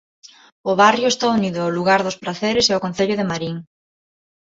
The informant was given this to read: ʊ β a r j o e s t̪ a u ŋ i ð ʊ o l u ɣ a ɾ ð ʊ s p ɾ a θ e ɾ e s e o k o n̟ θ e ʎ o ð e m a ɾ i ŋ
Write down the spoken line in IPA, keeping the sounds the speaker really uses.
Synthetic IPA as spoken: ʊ β a r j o e s t̪ a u n i ð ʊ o l u ɣ a ɾ ð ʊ s p ɾ a θ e ɾ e s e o k o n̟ θ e ʎ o ð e m a ɾ i ŋ